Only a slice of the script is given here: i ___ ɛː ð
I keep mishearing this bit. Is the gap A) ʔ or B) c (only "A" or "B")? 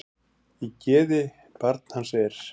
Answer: B